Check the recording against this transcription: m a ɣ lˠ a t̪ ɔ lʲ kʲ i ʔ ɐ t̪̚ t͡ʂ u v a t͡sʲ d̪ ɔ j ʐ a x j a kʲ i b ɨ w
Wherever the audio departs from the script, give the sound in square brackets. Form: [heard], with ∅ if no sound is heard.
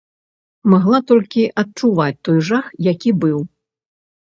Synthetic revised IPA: m a ɣ lˠ a t̪ ɔ lʲ kʲ i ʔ ɐ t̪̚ t͡ʂ u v a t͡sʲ [t̪] ɔ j ʐ a x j a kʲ i b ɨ w